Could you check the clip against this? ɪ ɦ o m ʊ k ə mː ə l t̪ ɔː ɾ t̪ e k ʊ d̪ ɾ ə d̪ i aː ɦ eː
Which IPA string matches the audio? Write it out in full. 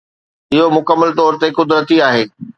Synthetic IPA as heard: ɪ ɦ o m ʊ k ə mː ə l t̪ ɔː ɾ t̪ e k ʊ d̪ ɾ ə t̪ i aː ɦ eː